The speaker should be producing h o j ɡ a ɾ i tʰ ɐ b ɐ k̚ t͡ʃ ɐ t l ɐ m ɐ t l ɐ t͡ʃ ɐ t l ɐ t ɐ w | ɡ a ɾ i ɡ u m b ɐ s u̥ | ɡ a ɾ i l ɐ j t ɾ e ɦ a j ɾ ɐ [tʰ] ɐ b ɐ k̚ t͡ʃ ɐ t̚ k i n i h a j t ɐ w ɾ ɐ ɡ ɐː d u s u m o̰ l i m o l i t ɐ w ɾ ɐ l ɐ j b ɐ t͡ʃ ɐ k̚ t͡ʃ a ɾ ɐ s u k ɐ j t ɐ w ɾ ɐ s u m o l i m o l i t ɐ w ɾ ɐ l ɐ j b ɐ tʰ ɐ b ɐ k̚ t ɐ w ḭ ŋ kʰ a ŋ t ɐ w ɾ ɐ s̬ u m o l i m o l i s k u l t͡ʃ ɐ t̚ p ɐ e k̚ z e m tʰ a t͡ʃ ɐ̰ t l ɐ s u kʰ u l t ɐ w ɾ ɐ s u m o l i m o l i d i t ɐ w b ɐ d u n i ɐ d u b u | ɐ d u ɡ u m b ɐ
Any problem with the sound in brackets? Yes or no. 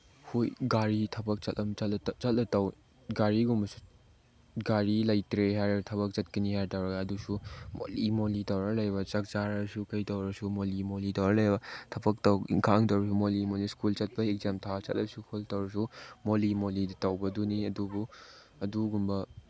no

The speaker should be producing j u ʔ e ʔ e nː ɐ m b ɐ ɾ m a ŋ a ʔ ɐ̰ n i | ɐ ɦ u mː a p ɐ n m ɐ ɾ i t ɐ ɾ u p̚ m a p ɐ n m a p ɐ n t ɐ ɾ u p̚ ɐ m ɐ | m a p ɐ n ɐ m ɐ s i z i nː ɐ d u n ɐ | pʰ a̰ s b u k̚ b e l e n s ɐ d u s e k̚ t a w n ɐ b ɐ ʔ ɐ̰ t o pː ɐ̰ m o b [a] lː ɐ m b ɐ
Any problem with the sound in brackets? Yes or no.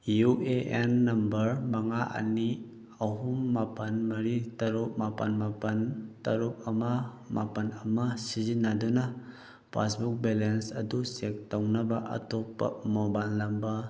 no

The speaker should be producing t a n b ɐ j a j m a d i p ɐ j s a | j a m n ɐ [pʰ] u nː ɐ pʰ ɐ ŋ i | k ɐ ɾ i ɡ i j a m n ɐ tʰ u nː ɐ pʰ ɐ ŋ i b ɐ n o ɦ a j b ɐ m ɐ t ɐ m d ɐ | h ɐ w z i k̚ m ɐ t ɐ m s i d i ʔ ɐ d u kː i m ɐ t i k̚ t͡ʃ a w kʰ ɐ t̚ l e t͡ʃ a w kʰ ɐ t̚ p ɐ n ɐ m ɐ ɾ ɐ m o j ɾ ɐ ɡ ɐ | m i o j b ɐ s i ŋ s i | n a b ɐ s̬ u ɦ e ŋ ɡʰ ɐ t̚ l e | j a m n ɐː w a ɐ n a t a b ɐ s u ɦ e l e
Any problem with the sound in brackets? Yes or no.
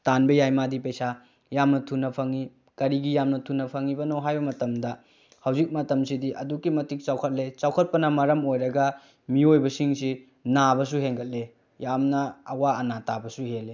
yes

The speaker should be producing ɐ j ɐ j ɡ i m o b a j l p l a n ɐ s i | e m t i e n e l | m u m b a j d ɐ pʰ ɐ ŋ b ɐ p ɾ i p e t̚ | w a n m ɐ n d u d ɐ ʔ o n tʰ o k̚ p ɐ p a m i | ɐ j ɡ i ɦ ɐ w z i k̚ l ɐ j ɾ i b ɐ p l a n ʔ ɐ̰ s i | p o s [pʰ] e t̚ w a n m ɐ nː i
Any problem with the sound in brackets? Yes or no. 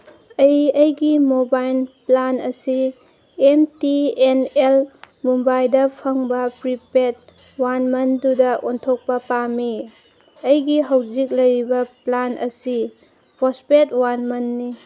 yes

